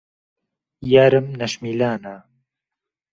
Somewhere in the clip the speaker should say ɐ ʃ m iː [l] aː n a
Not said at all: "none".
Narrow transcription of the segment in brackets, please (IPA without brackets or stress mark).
l